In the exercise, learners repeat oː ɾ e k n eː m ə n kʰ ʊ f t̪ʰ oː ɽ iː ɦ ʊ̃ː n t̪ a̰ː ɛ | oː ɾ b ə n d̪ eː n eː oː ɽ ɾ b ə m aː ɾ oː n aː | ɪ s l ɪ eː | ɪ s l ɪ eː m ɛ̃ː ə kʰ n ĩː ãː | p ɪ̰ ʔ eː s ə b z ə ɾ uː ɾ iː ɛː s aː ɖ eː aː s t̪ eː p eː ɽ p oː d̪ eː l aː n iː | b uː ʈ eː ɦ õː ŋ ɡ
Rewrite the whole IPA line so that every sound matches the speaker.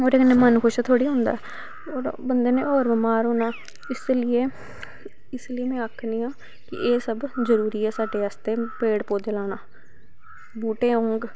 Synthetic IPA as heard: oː ɾ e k n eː m ə n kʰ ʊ ʃ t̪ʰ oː ɽ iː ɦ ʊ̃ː n d̪ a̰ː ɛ | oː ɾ b ə n d̪ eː n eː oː ɾ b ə m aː ɾ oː n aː | ɪ s l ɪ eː | ɪ s l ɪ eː m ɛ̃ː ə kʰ n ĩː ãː | k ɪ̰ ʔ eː s ə b z ə ɾ uː ɾ iː ɛː s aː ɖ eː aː s t̪ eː p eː ɽ p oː d̪ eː l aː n aː | b uː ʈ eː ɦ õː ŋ ɡ